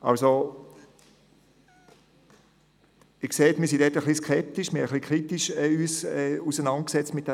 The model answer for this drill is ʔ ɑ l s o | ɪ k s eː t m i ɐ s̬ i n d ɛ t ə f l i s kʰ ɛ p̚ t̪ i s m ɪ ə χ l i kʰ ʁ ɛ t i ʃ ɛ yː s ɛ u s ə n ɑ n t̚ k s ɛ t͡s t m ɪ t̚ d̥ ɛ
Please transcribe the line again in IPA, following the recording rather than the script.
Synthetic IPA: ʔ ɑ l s o | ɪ k s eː t m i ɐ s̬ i n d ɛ t ə χ l i s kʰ ɛ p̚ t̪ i ʃ m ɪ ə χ l i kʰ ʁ i t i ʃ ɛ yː s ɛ u s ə n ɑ n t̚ k s ɛ t͡s t m ɪ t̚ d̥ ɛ